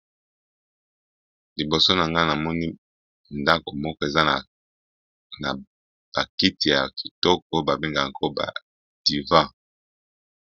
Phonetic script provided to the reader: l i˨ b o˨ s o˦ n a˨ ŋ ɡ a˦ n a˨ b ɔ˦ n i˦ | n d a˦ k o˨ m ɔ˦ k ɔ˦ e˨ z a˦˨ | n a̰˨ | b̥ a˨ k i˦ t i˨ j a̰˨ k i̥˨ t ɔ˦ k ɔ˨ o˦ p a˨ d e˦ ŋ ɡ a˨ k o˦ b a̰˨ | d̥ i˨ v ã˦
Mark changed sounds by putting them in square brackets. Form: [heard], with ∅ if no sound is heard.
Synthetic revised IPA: l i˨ b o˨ s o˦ n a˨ ŋ ɡ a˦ n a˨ [m] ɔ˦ n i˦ | n d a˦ k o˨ m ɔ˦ k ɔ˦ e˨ z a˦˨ | n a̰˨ | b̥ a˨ k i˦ t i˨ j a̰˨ k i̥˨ t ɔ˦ k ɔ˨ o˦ [b] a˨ [b] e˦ ŋ ɡ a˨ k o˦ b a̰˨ | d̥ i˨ v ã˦